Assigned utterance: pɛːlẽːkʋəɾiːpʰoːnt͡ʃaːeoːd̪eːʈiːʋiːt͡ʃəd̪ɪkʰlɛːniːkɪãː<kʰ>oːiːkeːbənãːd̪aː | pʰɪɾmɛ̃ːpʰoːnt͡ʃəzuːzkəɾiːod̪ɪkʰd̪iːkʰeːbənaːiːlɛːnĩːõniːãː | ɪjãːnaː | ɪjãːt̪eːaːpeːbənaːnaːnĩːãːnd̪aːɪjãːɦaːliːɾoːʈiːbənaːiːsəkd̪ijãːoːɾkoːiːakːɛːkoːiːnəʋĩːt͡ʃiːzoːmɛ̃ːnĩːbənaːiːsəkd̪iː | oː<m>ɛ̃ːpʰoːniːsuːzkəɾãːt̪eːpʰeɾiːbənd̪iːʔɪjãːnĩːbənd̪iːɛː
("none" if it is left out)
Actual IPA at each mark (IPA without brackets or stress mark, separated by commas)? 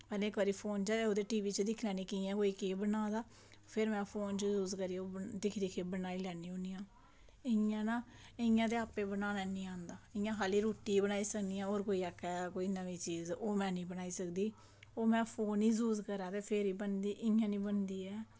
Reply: k, m